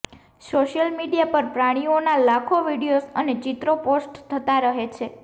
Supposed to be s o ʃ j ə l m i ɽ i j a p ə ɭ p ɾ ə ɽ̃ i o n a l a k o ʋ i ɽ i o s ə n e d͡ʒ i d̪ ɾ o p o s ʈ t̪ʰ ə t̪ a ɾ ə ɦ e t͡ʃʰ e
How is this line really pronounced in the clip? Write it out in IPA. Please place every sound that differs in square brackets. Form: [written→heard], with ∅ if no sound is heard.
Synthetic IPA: s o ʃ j ə l m i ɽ i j a p ə [ɭ→ɾ] p ɾ [ə→a] ɽ̃ i o n a l a [k→kʰ] o ʋ i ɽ i o s ə n e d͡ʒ i [d̪→t̪] ɾ o p o s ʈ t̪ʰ ə t̪ a ɾ ə ɦ e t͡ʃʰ e